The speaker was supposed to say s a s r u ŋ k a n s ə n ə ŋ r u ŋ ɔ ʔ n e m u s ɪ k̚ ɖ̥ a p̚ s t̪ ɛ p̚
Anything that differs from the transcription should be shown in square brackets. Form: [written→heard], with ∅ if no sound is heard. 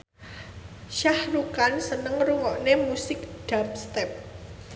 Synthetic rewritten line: [s→ʃ] a [s→h] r u [ŋ→∅] k a n s ə n ə ŋ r u ŋ ɔ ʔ n e m u s ɪ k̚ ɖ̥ a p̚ s t̪ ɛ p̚